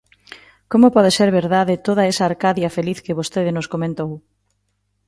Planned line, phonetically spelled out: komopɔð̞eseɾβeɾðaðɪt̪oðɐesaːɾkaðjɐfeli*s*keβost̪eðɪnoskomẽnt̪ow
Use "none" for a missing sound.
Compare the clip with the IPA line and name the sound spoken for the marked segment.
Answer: θ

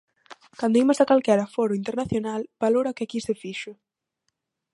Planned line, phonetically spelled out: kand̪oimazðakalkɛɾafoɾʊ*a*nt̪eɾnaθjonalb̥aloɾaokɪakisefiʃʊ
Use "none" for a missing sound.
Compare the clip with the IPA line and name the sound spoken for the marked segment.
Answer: i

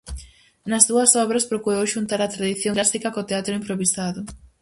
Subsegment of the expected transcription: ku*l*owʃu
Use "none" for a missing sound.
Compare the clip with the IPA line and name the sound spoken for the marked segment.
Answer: ɾ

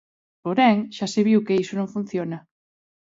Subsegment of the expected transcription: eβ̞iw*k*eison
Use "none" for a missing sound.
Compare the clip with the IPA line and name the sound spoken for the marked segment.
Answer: k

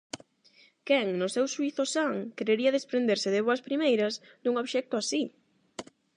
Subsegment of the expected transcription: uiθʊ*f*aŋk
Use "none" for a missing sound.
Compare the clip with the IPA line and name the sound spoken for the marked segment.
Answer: s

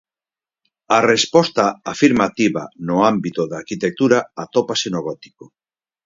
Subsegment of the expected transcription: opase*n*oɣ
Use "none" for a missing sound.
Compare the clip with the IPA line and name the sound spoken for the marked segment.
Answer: n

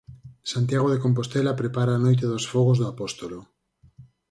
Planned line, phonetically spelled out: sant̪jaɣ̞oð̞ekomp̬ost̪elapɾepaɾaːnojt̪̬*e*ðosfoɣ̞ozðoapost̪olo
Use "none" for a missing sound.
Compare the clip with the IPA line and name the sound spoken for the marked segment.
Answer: e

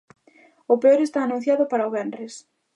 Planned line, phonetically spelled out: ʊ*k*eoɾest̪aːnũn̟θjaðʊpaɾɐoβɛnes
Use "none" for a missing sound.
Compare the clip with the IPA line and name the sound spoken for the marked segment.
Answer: p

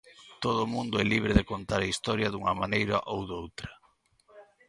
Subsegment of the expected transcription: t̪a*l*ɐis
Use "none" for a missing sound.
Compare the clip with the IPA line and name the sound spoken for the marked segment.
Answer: ɾ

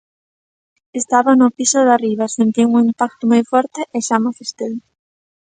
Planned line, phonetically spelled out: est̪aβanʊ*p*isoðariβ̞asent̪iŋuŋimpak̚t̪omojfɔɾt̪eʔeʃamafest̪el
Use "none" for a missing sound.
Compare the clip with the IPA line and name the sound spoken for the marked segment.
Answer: p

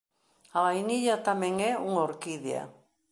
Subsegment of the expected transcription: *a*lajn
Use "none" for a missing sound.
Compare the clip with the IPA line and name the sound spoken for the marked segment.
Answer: a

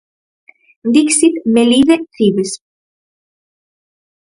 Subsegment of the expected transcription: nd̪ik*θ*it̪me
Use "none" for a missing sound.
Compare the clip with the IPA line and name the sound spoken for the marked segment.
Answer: s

